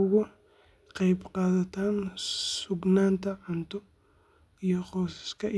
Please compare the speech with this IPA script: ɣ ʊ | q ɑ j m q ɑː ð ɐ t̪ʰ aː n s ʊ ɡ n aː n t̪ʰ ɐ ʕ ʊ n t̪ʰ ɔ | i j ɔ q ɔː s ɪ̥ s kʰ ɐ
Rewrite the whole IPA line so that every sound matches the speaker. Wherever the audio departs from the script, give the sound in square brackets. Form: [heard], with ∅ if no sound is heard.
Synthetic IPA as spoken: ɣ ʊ | q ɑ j [b] q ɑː ð ɐ t̪ʰ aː n s ʊ ɡ n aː n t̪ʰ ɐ ʕ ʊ n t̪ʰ ɔ | i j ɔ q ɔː s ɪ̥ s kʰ ɐ

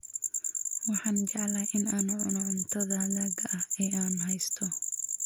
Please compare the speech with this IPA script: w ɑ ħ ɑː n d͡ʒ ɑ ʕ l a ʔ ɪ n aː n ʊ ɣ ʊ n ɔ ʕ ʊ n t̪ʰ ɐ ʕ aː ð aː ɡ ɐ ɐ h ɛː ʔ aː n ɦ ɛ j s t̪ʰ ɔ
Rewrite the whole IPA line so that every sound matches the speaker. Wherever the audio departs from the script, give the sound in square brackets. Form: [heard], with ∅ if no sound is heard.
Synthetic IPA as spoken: w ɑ ħ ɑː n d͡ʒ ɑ ʕ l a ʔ ɪ n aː n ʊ [ʕ] ʊ n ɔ ʕ ʊ n t̪ʰ ɐ [ð] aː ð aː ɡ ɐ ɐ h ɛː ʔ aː n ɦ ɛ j s t̪ʰ ɔ

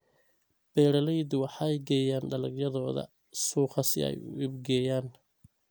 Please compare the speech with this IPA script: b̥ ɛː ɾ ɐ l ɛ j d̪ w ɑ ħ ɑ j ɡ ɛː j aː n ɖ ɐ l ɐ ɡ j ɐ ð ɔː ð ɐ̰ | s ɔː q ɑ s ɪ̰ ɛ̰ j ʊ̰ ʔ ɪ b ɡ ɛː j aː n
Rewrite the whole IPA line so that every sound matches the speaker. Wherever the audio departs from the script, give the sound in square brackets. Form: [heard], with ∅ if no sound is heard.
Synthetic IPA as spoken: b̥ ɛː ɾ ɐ l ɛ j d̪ w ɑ ħ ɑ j ɡ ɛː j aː n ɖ ɐ l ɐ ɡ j ɐ ð ɔː ð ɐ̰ | s [uː] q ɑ s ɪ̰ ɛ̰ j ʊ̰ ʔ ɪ b ɡ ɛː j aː n

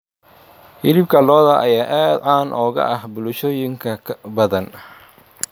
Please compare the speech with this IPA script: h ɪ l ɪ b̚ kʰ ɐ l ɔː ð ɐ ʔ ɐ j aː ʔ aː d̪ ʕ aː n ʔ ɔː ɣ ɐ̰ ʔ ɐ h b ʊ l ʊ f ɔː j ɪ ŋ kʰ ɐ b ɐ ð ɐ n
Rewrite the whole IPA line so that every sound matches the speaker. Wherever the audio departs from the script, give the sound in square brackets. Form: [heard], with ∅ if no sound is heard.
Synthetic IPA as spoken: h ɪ l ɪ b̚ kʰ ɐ l ɔː ð ɐ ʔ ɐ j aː ʔ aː d̪ ʕ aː n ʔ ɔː ɣ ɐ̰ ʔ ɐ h b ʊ l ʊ [ʃ] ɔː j ɪ ŋ kʰ ɐ b ɐ ð ɐ n

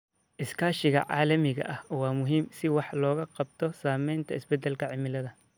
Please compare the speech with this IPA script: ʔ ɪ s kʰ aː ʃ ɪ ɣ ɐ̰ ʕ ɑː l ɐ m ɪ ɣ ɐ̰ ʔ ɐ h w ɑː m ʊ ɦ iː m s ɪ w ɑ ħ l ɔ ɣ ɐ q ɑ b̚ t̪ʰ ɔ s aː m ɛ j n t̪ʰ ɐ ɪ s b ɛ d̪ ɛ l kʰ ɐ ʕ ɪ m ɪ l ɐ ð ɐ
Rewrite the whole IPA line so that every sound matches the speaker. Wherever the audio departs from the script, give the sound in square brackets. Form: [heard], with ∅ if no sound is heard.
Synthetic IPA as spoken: ʔ ɪ s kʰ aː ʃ ɪ ɣ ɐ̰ ʕ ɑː l ɐ m ɪ ɣ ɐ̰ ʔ ɐ h w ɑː m ʊ ɦ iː m s ɪ w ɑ ħ l [ɔː] ɣ ɐ q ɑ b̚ t̪ʰ ɔ s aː m ɛ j n t̪ʰ ɐ ɪ s b ɛ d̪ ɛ l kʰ ɐ ʕ ɪ m ɪ l ɐ ð ɐ

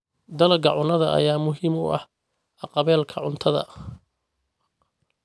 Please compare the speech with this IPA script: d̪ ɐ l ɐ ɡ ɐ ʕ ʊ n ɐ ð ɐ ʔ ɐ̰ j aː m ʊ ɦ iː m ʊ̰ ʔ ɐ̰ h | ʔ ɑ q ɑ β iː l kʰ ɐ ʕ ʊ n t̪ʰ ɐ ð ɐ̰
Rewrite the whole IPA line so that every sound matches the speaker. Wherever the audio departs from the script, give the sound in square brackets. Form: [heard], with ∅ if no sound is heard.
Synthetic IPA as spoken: d̪ ɐ l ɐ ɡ ɐ ʕ ʊ n ɐ ð ɐ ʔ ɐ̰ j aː m ʊ ɦ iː m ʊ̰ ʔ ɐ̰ h | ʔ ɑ q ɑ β [ɛː] l kʰ ɐ ʕ ʊ n t̪ʰ ɐ ð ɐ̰

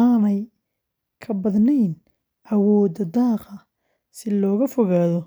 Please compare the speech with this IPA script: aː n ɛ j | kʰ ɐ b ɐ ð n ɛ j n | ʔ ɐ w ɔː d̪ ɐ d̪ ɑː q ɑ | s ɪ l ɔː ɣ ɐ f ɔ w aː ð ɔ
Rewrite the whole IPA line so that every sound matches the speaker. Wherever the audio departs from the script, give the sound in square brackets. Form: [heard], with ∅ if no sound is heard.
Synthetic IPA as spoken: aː n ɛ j | kʰ ɐ b ɐ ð n ɛ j n | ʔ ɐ w ɔː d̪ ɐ d̪ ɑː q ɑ | s ɪ l ɔː ɣ ɐ f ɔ [ɣ] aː ð ɔ

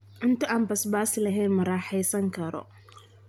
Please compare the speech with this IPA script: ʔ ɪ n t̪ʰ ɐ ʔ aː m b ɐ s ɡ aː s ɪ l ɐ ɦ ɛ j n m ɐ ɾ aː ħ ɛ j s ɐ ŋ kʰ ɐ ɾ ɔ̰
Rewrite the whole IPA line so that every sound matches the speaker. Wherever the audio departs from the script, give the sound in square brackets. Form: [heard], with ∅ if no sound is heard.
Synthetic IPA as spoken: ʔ ɪ n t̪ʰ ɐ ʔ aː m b ɐ s [b] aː s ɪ l ɐ ɦ ɛ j n m ɐ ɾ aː ħ ɛ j s ɐ ŋ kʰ ɐ ɾ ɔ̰

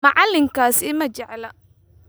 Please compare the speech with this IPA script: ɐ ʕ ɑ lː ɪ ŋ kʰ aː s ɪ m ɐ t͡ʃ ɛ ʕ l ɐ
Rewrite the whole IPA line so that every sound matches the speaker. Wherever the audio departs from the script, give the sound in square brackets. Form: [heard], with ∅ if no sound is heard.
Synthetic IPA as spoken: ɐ ʕ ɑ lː ɪ ŋ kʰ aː s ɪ m ɐ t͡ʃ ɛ ʕ l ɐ

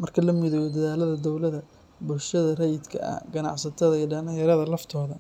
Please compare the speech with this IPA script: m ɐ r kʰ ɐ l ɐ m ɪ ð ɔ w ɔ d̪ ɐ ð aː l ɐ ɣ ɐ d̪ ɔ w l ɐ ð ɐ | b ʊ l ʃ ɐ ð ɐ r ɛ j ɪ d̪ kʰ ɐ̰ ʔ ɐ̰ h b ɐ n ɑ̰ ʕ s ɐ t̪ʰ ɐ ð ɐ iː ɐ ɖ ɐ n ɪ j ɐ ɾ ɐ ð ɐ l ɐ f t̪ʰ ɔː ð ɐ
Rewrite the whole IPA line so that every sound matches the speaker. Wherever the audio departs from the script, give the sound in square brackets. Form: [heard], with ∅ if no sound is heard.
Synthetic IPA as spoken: m ɐ r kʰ ɐ l ɐ m ɪ ð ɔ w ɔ d̪ ɐ ð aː l ɐ [ð] ɐ d̪ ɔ w l ɐ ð ɐ | b ʊ l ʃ ɐ ð ɐ r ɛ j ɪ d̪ kʰ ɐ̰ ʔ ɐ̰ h [ɡ] ɐ n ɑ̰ ʕ s ɐ t̪ʰ ɐ ð ɐ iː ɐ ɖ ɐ n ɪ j ɐ ɾ ɐ ð ɐ l ɐ f t̪ʰ ɔː ð ɐ

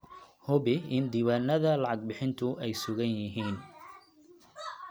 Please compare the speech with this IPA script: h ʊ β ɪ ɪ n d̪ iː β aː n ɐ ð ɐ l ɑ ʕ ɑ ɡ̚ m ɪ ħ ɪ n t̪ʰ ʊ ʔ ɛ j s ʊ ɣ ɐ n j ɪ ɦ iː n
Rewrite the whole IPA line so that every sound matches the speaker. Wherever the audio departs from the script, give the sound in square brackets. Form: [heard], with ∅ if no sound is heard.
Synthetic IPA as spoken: h ʊ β ɪ ɪ n d̪ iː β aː n ɐ ð ɐ l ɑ ʕ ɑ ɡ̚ [b] ɪ ħ ɪ n t̪ʰ ʊ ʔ ɛ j s ʊ ɣ ɐ n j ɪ ɦ iː n

